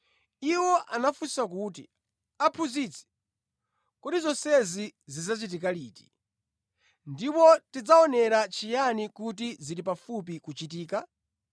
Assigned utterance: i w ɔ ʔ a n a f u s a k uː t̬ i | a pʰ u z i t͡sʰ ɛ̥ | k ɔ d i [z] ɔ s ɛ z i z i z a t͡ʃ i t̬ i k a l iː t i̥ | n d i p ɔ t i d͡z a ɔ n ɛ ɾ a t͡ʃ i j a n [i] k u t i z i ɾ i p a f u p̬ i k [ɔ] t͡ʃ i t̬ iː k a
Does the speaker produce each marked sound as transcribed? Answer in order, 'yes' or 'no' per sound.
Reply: yes, yes, no

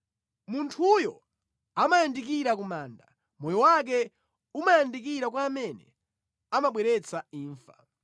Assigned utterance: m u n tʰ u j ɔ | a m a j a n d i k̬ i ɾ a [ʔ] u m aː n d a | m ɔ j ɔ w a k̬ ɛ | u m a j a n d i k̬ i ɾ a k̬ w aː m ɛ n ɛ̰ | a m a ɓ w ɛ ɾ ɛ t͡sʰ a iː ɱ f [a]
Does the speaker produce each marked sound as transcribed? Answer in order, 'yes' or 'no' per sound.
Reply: no, yes

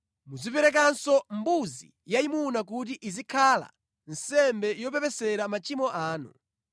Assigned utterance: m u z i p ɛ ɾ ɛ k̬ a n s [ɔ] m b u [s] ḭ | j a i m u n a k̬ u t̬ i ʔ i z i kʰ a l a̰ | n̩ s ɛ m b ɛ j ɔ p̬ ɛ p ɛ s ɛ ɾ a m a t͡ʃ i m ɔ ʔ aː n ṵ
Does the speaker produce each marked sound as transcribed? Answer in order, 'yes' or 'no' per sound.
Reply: yes, no

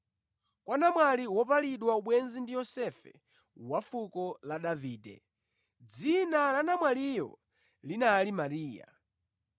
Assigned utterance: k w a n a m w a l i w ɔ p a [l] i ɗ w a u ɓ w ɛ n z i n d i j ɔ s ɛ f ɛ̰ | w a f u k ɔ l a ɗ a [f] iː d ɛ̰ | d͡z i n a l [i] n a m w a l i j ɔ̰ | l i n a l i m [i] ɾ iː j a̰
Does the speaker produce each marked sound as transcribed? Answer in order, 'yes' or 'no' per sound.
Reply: yes, no, no, no

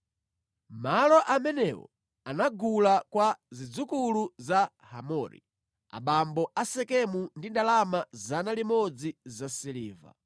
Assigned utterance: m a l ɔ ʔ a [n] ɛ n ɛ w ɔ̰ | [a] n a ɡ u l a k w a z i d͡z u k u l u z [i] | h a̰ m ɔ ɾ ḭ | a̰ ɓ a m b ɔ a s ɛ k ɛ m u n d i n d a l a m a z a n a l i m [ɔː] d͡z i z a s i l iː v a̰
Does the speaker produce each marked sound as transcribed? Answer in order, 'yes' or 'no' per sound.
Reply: no, yes, no, no

